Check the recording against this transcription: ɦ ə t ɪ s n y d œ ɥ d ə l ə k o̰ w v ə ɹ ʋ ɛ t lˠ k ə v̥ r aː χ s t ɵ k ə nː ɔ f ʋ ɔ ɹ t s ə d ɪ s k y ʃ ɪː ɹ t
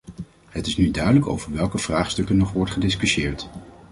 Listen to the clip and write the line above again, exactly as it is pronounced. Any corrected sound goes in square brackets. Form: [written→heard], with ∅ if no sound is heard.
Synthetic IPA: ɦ ə t ɪ s n y d œ ɥ d ə l ə k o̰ w v ə ɹ ʋ ɛ [t→∅] lˠ k ə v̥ r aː χ s t ɵ k ə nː ɔ [f→χ] ʋ ɔ ɹ t [s→χ] ə d ɪ s k y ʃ ɪː ɹ t